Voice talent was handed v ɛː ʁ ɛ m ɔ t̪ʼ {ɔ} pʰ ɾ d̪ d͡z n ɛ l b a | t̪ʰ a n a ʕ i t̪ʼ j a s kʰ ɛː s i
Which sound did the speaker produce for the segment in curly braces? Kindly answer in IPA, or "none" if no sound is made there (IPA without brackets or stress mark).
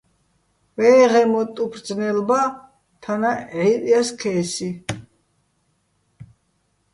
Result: u